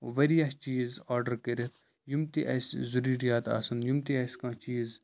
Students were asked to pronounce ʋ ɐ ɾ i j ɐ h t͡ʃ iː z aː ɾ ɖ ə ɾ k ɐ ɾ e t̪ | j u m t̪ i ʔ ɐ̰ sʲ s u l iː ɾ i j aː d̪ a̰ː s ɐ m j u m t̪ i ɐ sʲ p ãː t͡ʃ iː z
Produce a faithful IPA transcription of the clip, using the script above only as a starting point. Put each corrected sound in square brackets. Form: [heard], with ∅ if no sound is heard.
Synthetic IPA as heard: ʋ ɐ ɾ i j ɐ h t͡ʃ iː z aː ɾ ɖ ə ɾ k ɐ ɾ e t̪ | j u m t̪ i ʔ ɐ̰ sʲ [z] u [ɾ] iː ɾ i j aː [t̪] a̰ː s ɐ [n] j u m t̪ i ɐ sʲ [k] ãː t͡ʃ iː z